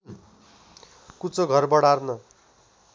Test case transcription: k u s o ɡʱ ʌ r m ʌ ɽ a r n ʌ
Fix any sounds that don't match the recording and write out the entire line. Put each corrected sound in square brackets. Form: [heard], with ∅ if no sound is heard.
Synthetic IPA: k u [t͡s] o ɡʱ ʌ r [b] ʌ ɽ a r n ʌ